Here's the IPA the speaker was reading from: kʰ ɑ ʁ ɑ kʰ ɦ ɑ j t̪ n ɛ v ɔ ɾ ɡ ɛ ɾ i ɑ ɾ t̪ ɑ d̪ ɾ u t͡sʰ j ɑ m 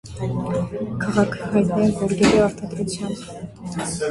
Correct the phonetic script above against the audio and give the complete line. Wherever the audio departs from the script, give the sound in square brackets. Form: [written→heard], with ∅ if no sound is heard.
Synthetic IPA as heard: kʰ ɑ ʁ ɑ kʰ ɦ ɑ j t̪ n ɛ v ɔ ɾ ɡ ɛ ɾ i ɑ ɾ t̪ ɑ d̪ ɾ u t͡sʰ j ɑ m